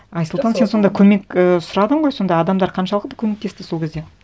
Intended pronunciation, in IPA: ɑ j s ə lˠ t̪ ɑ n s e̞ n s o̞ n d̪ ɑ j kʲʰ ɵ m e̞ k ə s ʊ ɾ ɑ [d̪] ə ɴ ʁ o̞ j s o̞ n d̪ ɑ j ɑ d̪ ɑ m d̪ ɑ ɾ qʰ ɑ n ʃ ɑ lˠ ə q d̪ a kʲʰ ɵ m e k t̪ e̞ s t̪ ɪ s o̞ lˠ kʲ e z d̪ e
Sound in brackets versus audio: correct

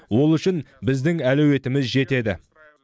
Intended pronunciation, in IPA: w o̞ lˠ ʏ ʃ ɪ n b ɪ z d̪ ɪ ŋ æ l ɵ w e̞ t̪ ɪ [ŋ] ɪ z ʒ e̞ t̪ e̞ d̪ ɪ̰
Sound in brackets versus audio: incorrect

